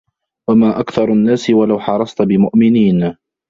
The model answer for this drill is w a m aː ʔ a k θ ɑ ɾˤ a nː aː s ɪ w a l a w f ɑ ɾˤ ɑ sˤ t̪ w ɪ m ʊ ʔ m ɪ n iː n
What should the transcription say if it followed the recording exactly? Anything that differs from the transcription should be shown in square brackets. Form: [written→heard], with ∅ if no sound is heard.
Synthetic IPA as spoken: w a m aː ʔ a k θ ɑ ɾˤ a nː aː s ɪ w a l a w [f→ħ] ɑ ɾˤ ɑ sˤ t̪ [w→b] ɪ m ʊ ʔ m ɪ n iː n